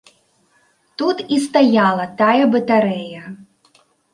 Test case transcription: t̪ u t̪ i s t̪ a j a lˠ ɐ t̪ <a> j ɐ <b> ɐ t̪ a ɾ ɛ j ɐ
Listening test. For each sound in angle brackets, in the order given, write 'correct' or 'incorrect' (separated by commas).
correct, correct